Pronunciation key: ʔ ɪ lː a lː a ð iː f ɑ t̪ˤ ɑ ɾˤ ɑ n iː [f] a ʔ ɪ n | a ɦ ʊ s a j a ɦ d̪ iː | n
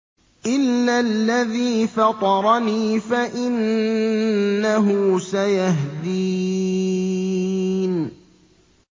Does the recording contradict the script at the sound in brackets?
no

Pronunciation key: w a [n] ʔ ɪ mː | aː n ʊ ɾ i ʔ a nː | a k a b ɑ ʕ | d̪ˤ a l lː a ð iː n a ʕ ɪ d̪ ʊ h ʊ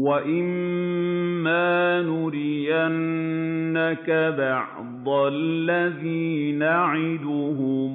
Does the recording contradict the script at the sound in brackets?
yes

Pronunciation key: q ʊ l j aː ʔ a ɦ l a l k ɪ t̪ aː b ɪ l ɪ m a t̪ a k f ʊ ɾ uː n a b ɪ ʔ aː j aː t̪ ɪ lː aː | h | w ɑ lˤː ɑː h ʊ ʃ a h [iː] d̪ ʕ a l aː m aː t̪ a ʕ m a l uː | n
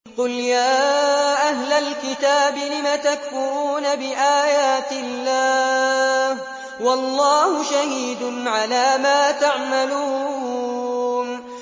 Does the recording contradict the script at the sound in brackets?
no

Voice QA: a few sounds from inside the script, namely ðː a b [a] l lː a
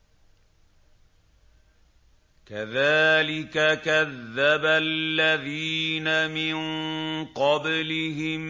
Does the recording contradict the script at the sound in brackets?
no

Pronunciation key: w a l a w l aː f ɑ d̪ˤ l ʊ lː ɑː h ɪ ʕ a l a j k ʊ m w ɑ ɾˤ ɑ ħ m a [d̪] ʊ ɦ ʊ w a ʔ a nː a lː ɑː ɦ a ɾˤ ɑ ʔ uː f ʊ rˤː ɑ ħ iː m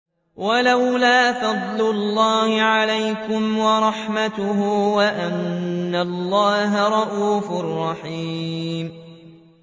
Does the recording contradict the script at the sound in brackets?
yes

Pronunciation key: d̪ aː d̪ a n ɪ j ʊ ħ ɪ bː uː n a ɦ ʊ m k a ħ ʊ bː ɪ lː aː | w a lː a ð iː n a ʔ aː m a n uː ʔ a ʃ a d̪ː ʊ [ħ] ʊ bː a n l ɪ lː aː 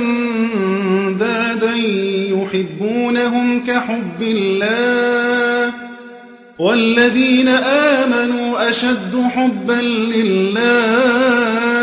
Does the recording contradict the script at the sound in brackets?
no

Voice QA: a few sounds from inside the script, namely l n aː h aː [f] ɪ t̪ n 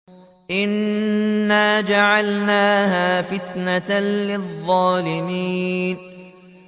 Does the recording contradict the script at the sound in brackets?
no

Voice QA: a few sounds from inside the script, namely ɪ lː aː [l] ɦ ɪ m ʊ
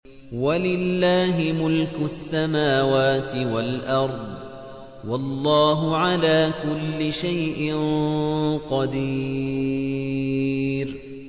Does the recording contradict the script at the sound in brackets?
yes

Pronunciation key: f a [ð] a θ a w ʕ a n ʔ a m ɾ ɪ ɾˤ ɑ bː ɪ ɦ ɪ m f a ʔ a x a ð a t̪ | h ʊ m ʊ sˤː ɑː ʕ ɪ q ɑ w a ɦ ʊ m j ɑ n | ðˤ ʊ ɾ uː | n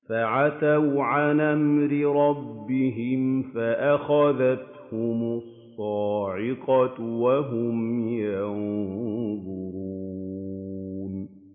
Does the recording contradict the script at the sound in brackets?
yes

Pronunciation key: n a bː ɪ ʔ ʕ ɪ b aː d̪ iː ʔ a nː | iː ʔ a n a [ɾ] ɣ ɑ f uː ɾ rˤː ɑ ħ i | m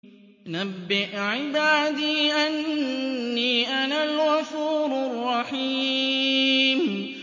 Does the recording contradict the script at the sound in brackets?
yes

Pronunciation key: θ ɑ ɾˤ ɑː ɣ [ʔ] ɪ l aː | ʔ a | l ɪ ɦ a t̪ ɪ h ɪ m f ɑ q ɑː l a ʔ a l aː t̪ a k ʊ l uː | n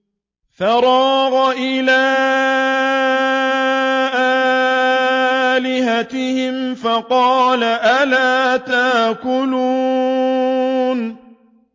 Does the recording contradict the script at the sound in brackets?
no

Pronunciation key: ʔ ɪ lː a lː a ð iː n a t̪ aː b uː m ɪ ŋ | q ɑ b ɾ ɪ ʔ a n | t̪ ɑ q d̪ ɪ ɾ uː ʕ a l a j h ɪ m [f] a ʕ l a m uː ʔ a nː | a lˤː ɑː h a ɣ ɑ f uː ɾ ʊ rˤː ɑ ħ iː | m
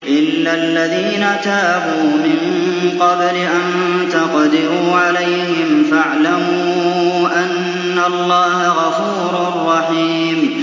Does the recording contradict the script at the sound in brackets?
no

